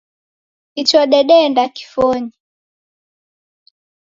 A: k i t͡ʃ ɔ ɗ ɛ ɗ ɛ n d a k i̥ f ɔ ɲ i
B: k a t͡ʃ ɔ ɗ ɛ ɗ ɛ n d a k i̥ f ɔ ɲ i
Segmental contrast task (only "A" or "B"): A